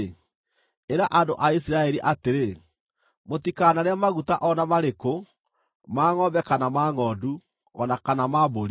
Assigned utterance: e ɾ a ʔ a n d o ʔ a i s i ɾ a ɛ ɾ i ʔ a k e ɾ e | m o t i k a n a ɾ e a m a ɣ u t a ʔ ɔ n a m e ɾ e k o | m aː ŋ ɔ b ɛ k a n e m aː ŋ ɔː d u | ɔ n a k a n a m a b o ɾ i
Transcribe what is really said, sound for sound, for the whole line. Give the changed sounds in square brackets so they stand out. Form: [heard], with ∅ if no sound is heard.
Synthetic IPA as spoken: e ɾ a ʔ a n d o ʔ a i s i ɾ a ɛ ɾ i ʔ a [t] e ɾ e | m o t i k a n a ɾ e a m a ɣ u t a ʔ ɔ n a m [a] ɾ e k o | m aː ŋ ɔ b ɛ k a n [a] m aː ŋ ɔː d u | ɔ n a k a n a m a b o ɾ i